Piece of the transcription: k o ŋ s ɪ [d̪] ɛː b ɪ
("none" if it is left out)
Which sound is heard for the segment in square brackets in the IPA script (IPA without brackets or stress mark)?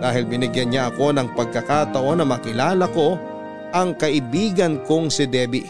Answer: d̪